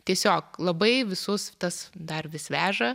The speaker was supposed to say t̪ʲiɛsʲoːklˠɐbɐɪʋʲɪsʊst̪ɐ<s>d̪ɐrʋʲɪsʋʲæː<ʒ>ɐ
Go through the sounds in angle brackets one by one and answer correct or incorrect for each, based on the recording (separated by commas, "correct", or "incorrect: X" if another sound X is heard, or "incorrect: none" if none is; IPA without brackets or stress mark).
correct, correct